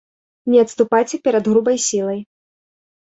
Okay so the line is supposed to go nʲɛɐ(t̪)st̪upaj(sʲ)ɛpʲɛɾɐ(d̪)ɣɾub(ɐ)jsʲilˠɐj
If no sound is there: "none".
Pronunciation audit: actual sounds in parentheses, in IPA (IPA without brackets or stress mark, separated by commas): t̪, t͡sʲ, d̪, ɐ